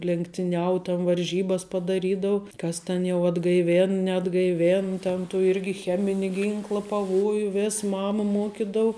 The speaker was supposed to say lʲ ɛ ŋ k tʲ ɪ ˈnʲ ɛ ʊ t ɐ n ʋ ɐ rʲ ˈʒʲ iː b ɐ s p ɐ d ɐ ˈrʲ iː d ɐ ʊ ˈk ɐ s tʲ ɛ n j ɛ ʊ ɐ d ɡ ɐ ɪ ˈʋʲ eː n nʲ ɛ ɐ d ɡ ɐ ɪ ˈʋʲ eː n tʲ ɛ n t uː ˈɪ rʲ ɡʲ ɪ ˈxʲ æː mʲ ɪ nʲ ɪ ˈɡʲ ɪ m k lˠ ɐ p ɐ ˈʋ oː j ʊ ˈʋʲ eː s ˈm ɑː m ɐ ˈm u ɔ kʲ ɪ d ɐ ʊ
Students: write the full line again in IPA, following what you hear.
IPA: lʲ ɛ ŋ k tʲ ɪ ˈnʲ ɛ ʊ t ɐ n ʋ ɐ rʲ ˈʒʲ iː b ɐ s p ɐ d ɐ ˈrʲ iː d ɐ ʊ ˈk ɐ s tʲ ɛ n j ɛ ʊ ɐ d ɡ ɐ ɪ ˈʋʲ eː n nʲ ɛ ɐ d ɡ ɐ ɪ ˈʋʲ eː n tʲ ɛ n t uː ˈɪ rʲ ɡʲ ɪ ˈxʲ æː mʲ ɪ nʲ ɪ ˈɡʲ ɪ ŋ k lˠ ɐ p ɐ ˈʋ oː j ʊ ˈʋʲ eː s ˈm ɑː m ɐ ˈm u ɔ kʲ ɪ d ɐ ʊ

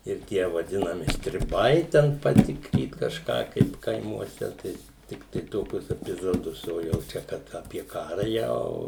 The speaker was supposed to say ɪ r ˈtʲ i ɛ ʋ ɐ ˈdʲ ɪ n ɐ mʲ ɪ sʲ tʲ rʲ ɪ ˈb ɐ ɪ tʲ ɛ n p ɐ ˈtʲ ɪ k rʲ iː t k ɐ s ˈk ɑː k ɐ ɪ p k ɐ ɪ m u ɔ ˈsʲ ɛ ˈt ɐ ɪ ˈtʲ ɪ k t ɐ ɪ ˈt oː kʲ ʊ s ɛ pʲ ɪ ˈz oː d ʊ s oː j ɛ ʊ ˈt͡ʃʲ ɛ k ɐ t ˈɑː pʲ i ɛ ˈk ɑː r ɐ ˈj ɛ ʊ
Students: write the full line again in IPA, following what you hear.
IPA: ɪ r ˈtʲ i ɛ ʋ ɐ ˈdʲ ɪ n ɐ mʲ ɪ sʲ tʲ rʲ ɪ ˈb ɐ ɪ tʲ ɛ n p ɐ ˈtʲ ɪ k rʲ iː t k ɐ ʃ ˈk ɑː k ɐ ɪ p k ɐ ɪ m u ɔ ˈsʲ ɛ ˈt ɐ ɪ ˈtʲ ɪ k t ɐ ɪ ˈt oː kʲ ʊ s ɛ pʲ ɪ ˈz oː d ʊ s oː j ɛ ʊ ˈt͡ʃʲ ɛ k ɐ t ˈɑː pʲ i ɛ ˈk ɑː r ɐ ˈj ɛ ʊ

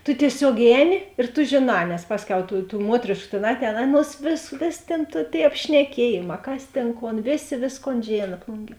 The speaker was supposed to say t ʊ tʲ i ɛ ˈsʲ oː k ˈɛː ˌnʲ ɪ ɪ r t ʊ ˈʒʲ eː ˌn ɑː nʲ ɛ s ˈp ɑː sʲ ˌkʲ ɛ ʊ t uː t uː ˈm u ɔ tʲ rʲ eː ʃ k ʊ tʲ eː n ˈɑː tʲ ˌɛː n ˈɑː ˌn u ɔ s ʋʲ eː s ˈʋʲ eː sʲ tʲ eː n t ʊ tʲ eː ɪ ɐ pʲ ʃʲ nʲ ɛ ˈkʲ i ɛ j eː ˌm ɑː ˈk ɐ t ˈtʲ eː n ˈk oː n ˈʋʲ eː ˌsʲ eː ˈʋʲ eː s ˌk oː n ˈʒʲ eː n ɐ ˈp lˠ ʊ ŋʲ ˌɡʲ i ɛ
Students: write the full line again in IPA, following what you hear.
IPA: t ʊ tʲ i ɛ ˈsʲ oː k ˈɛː ˌnʲ ɪ ɪ r t ʊ ˈʒʲ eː ˌn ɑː nʲ ɛ s ˈp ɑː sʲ ˌkʲ ɛ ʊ t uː t uː ˈm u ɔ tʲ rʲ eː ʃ k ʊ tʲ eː n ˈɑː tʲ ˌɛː n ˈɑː ˌn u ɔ s ʋʲ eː s ˈʋʲ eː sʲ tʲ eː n t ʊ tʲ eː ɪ ɐ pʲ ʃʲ nʲ ɛ ˈkʲ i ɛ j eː ˌm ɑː ˈk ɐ s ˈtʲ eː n ˈk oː n ˈʋʲ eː ˌsʲ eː ˈʋʲ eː s ˌk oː n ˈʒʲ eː n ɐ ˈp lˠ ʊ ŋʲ ˌɡʲ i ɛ

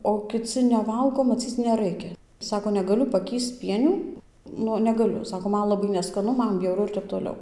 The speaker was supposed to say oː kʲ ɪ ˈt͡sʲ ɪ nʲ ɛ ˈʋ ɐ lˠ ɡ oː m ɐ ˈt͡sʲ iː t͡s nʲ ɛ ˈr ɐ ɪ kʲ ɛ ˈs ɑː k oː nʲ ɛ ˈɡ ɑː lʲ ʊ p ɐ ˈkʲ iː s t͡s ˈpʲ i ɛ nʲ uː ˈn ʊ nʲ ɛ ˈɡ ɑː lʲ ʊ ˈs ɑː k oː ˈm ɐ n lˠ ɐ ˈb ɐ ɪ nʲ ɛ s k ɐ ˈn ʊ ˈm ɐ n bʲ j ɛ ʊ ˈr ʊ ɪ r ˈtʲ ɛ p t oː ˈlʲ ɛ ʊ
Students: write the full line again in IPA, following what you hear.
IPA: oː kʲ ɪ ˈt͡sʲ ɪ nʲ ɛ ˈʋ ɐ lˠ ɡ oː m ɐ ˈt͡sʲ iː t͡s nʲ ɛ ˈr ɐ ɪ kʲ ɛ ˈs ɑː k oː nʲ ɛ ˈɡ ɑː lʲ ʊ p ɐ ˈkʲ iː s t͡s ˈpʲ i ɛ nʲ uː ˈn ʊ nʲ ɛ ˈɡ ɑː lʲ ʊ ˈs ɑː k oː ˈm ɐ n lˠ ɐ ˈb ɐ ɪ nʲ ɛ s k ɐ ˈn ʊ ˈm ɐ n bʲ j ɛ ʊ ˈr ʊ ɪ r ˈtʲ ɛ p t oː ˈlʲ ɛ ʊ

